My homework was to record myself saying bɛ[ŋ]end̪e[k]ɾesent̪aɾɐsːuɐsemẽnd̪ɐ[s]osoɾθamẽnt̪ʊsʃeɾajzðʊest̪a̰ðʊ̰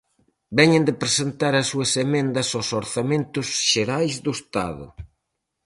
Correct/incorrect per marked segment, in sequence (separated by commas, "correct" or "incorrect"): incorrect, incorrect, correct